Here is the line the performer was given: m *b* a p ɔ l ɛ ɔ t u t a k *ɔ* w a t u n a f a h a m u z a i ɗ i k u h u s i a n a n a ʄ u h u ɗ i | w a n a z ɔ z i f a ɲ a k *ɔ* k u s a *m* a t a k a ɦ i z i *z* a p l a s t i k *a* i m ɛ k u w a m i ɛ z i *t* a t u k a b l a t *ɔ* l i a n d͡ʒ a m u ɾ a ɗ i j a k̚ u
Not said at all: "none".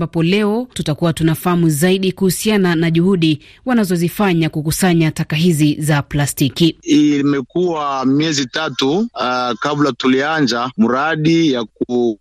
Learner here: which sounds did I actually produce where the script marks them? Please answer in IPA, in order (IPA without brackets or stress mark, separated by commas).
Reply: b, u, u, ɲ, z, i, t, u